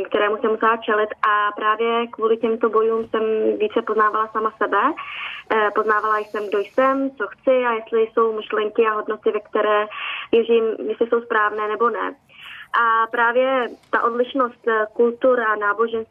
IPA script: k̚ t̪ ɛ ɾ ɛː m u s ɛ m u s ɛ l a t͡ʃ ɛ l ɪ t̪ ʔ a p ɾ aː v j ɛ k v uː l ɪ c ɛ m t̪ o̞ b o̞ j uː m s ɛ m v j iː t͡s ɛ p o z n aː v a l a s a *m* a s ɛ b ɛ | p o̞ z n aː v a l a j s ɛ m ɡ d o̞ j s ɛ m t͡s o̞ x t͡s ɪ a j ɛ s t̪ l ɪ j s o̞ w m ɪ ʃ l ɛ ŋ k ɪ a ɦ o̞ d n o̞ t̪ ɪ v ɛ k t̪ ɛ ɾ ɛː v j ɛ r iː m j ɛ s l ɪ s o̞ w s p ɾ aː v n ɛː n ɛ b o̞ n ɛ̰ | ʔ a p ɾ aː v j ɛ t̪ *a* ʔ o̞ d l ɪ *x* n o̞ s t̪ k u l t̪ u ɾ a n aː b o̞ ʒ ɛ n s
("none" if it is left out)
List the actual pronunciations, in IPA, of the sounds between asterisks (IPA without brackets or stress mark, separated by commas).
m, a, ʃ